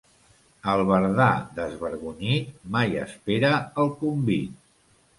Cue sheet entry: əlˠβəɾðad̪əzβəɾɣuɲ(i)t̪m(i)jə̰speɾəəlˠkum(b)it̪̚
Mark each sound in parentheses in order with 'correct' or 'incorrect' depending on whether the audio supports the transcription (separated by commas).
correct, incorrect, correct